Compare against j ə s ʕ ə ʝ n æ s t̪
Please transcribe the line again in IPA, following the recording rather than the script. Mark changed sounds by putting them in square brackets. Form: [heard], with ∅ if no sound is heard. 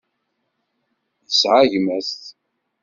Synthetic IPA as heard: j ə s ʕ [a] ʝ [m] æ s t̪